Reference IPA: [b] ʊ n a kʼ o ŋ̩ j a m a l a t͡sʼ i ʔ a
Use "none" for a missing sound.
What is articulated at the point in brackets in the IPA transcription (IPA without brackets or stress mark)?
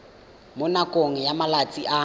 m